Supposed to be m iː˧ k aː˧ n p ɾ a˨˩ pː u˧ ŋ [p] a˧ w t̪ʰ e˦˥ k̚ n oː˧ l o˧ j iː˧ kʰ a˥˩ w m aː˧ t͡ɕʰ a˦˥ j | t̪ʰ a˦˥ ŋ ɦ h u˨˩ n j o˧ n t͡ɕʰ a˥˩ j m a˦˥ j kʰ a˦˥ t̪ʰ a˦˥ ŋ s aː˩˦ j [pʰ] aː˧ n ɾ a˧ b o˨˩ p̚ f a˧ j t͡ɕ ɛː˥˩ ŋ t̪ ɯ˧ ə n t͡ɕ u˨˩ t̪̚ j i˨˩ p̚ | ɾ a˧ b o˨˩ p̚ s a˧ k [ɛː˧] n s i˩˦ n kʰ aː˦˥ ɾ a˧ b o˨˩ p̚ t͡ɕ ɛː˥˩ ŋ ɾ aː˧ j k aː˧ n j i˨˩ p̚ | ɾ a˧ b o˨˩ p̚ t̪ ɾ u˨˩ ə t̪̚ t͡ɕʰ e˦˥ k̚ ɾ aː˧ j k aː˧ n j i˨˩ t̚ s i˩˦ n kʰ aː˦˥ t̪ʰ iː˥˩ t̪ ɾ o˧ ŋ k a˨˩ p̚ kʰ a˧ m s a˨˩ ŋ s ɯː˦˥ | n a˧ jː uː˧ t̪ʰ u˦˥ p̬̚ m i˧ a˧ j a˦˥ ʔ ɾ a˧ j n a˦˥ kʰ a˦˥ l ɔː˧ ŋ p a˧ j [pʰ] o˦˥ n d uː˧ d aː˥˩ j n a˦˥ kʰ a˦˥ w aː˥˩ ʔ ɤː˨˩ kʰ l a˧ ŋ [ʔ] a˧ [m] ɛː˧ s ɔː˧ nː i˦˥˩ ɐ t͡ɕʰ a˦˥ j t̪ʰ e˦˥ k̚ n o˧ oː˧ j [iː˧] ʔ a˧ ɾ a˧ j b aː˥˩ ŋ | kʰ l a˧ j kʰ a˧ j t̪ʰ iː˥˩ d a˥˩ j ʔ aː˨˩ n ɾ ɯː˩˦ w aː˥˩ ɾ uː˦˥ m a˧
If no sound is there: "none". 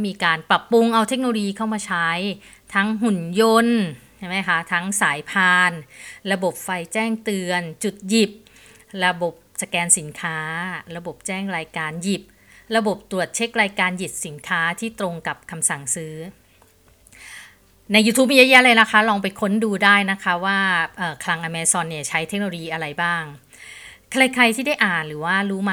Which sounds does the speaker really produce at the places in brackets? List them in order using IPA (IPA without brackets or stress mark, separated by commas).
ʔ, pʰ, ɛː˧, kʰ, ʔ, m, iː˧